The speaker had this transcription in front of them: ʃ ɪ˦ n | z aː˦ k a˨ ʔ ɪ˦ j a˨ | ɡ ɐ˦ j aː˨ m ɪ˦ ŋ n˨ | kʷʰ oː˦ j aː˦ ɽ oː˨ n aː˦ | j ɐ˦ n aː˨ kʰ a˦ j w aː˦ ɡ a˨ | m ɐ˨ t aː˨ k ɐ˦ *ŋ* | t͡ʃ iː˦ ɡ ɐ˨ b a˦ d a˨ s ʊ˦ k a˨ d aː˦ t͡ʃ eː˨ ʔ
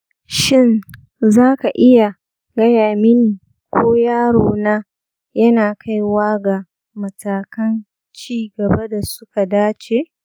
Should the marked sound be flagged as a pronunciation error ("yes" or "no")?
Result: yes